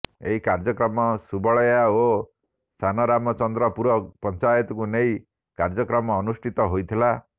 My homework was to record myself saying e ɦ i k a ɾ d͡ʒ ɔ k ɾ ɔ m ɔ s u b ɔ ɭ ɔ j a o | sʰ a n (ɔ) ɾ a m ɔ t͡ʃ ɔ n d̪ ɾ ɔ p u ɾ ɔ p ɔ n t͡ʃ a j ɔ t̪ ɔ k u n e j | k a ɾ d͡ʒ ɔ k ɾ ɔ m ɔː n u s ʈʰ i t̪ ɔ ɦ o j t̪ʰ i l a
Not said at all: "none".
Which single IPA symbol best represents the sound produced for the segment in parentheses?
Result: ɔ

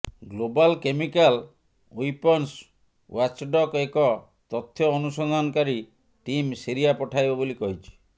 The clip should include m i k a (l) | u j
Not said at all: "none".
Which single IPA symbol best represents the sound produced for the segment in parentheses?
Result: l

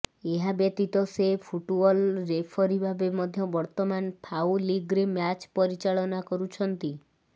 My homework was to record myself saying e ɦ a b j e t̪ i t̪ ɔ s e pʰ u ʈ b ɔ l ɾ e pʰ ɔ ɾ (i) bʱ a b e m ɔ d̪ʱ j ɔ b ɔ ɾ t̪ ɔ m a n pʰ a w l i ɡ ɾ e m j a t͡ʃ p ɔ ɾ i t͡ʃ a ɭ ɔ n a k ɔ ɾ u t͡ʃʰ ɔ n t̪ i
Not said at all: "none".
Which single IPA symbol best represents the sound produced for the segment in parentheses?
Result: i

